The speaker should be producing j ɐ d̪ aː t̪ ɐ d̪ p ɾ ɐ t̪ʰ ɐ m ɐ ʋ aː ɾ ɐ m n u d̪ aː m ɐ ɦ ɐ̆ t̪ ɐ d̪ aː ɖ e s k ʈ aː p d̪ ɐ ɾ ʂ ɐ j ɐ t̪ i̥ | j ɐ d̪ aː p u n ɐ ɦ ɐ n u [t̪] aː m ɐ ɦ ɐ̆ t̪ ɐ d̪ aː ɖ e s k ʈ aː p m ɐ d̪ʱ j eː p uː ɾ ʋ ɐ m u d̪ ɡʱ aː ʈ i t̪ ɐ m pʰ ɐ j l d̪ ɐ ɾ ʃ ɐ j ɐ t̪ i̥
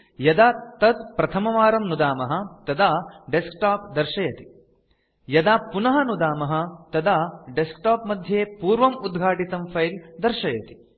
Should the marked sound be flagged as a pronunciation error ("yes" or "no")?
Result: yes